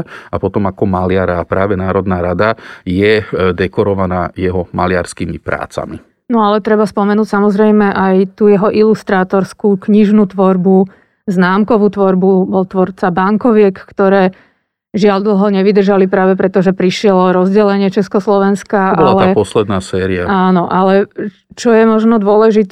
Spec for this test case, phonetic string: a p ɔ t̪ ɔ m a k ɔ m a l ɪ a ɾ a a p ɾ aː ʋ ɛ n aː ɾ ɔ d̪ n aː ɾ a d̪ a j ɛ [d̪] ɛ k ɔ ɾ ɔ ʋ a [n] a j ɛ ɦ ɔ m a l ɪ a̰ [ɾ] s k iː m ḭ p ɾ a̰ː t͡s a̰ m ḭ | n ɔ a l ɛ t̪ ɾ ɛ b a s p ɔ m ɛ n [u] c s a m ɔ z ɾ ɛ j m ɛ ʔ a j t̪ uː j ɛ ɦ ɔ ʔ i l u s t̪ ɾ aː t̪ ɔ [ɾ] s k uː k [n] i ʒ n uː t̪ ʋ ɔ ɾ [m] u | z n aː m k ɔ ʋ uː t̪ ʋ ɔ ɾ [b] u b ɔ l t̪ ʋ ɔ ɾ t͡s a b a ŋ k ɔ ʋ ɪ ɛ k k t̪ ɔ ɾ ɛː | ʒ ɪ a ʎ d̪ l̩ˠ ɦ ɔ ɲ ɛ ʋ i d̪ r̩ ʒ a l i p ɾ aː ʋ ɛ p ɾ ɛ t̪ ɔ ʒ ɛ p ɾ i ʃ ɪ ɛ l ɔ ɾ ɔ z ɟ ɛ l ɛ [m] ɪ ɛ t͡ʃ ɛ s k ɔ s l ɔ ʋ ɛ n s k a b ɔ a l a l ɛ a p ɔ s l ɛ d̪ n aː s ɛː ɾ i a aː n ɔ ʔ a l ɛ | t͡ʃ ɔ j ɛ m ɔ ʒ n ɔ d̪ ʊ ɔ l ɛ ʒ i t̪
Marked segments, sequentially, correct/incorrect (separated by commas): correct, correct, correct, incorrect, correct, incorrect, incorrect, correct, incorrect